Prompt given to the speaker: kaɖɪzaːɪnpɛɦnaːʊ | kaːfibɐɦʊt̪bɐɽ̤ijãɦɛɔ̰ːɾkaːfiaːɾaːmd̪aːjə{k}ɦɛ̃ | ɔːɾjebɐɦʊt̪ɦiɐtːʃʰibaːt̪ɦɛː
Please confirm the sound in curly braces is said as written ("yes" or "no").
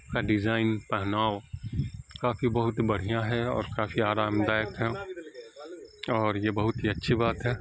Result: yes